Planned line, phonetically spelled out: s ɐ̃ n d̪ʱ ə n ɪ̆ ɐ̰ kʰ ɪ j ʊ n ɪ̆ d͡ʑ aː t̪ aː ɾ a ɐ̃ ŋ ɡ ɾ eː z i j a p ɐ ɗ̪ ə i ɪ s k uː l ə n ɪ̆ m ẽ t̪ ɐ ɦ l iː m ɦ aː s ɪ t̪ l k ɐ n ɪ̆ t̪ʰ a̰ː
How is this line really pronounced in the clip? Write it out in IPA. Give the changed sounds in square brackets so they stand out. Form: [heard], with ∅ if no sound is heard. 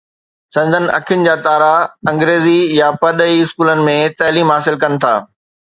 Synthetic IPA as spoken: s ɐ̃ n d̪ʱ ə n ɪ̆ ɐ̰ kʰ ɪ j ʊ n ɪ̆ d͡ʑ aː t̪ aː ɾ a ɐ̃ ŋ ɡ ɾ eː z i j a p ɐ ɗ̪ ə i ɪ s k uː l ə n ɪ̆ m ẽ t̪ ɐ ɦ l iː m ɦ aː s ɪ [∅] l k ɐ n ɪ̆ t̪ʰ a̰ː